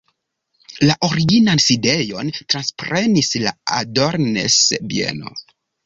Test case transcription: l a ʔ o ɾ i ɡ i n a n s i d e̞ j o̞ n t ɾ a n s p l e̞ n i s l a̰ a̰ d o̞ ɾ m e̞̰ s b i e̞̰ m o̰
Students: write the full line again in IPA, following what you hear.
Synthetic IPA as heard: l a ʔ o ɾ i ɡ i n a n s i d e̞ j o̞ n t ɾ a n s p ɾ e̞ n i s l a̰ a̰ d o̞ ɾ n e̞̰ s b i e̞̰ n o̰